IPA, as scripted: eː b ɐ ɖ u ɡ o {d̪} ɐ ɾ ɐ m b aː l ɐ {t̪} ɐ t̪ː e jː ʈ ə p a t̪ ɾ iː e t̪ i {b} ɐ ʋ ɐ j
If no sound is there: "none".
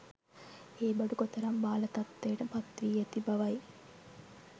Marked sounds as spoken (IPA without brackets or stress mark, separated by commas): t̪, t̪, b